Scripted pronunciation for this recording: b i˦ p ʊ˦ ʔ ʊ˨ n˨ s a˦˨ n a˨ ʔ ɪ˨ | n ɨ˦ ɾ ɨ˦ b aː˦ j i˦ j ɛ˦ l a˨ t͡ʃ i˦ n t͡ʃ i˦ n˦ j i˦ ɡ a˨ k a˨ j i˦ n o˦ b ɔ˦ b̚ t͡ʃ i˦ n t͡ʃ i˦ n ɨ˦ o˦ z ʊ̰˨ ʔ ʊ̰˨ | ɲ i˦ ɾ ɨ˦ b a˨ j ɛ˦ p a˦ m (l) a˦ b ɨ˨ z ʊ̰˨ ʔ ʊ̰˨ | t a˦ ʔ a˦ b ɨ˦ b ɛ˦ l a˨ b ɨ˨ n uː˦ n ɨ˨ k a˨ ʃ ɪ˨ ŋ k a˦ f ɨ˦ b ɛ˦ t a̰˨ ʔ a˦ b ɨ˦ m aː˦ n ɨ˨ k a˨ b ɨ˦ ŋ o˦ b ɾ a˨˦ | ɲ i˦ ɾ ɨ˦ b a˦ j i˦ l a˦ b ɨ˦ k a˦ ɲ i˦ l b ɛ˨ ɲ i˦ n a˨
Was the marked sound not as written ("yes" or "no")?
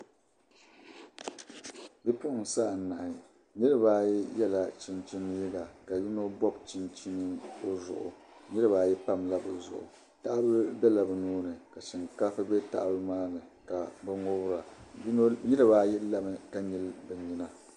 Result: no